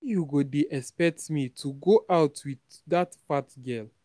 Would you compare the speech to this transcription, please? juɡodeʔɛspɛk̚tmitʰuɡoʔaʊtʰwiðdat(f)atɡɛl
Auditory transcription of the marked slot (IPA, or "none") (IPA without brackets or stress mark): f